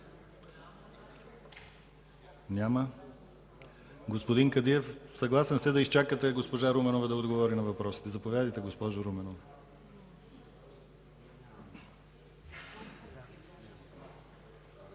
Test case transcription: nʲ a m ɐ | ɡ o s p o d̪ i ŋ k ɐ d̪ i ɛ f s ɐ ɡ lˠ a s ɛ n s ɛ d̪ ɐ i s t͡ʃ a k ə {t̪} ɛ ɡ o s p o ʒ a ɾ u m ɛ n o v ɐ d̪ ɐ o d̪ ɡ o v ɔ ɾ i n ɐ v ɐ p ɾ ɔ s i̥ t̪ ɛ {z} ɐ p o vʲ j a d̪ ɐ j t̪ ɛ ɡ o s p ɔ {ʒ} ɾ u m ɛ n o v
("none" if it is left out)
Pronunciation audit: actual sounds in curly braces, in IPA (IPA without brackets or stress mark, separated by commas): t̪, z, ʒ